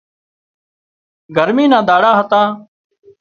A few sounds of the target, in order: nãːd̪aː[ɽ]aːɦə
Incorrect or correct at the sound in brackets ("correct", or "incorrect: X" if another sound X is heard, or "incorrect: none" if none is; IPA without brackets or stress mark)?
correct